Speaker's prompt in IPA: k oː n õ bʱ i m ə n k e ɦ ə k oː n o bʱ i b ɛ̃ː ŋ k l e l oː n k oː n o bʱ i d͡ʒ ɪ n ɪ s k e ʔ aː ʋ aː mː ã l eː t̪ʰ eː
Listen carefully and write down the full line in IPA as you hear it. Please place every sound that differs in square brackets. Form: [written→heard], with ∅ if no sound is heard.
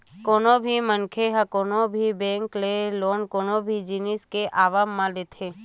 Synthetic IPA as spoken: k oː n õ bʱ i m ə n [k→kʰ] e ɦ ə k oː n o bʱ i b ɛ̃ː ŋ k l e l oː n k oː n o bʱ i d͡ʒ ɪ n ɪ s k e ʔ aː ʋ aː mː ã l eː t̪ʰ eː